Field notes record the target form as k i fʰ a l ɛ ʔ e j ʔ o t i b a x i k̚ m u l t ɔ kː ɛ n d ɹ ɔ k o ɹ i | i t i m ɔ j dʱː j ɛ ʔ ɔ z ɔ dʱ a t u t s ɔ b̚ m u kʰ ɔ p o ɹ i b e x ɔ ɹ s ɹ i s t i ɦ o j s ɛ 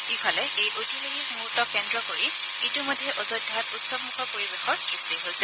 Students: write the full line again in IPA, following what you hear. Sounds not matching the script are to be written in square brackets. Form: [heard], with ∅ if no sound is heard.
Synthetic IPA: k i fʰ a l ɛ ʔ e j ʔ o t i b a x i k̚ m u [ɹ] t ɔ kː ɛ n d ɹ ɔ k o ɹ i | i t i m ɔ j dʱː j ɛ ʔ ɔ z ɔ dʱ a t u t s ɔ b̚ m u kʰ ɔ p o ɹ i b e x ɔ ɹ s ɹ i s t i ɦ o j s ɛ